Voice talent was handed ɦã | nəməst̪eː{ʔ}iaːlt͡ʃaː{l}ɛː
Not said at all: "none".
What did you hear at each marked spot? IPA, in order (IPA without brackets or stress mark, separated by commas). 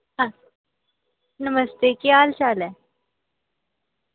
k, l